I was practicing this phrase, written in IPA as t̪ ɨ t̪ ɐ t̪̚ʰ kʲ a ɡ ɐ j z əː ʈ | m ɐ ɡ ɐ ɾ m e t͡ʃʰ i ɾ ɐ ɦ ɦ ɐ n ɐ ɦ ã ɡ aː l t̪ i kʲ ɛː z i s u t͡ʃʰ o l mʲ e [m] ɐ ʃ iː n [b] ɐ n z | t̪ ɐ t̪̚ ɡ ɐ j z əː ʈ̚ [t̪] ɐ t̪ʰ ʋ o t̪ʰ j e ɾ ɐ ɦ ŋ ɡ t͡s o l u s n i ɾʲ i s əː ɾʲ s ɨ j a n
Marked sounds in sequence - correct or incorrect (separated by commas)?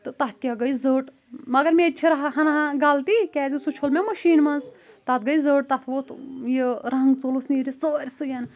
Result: correct, incorrect, correct